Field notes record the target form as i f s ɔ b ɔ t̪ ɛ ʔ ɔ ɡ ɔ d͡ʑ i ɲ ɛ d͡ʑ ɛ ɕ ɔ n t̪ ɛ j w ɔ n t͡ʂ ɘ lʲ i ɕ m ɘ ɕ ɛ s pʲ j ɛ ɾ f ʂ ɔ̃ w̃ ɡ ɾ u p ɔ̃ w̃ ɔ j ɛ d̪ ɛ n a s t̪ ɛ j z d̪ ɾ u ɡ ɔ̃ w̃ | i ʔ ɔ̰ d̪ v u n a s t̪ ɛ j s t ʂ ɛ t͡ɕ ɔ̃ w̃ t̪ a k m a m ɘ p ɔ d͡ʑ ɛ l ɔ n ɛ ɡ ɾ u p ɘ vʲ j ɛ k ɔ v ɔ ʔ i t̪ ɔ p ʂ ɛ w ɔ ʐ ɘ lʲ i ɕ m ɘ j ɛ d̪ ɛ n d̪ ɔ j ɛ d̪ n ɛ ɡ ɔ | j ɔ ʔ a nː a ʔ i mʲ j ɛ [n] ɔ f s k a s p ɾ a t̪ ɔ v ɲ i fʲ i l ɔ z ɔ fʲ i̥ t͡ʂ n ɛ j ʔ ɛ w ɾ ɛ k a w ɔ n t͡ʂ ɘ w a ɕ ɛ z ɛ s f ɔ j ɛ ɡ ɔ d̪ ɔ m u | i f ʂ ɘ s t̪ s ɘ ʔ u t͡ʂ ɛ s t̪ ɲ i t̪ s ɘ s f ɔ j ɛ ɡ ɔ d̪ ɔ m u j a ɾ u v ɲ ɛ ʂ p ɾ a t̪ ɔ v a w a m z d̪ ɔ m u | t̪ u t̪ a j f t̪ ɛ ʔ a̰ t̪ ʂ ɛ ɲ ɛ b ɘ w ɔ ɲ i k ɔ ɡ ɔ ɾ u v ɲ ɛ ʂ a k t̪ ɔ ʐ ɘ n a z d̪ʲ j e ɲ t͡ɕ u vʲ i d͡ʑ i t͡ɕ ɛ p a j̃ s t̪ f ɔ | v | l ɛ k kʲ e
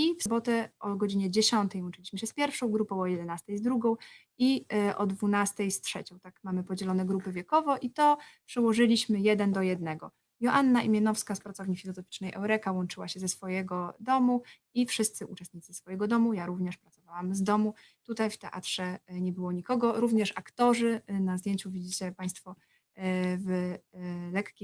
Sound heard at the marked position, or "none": n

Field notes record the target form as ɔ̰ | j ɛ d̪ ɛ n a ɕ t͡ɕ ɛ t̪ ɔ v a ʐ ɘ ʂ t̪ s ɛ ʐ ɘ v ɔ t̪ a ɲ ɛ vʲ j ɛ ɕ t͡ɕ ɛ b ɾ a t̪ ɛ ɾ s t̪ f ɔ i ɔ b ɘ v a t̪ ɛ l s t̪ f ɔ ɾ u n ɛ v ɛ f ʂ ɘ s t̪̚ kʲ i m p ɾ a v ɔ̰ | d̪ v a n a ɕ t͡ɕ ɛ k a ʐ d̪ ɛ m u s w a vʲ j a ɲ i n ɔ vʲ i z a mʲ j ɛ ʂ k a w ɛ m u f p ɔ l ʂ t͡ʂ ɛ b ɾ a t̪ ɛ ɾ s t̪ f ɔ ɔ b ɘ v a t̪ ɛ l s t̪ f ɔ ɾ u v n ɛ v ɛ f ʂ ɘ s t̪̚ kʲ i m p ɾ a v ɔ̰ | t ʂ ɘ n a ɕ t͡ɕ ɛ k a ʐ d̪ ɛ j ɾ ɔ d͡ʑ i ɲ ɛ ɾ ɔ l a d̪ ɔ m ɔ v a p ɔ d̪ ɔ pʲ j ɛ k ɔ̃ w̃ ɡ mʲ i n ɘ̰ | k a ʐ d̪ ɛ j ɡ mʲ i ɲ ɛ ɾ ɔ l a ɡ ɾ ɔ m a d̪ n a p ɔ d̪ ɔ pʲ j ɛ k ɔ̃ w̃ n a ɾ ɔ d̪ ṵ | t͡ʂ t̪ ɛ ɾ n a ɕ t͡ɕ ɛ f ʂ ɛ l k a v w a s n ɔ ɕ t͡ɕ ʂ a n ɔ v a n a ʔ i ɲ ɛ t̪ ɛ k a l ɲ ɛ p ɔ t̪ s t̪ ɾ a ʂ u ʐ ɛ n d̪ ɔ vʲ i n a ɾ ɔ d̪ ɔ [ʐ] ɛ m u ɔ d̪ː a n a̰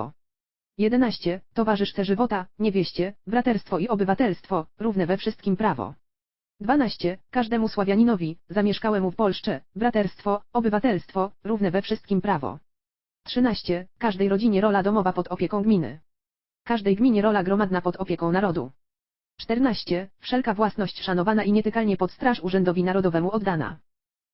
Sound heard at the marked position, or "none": v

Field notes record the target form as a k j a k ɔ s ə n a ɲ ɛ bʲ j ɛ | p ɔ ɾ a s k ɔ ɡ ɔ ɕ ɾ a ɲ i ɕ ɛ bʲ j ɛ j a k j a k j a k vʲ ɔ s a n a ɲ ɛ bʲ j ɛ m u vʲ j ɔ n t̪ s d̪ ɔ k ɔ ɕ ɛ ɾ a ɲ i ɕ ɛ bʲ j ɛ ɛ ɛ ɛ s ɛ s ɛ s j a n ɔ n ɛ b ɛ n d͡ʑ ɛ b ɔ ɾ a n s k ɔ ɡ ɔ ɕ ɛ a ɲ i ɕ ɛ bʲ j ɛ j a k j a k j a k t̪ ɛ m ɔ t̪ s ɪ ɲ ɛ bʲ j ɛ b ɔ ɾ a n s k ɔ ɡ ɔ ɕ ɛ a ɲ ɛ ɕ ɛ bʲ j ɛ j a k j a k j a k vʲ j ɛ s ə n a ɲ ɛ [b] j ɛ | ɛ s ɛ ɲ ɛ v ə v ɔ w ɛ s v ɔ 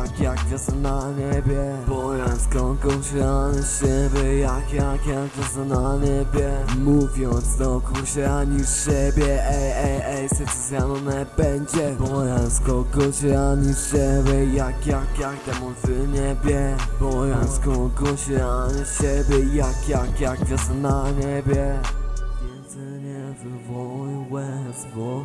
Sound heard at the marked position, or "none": b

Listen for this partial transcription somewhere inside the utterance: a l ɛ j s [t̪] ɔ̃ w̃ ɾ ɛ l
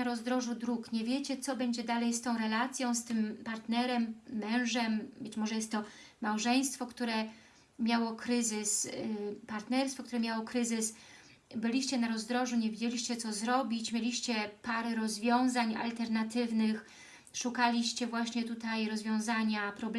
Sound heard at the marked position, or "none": t̪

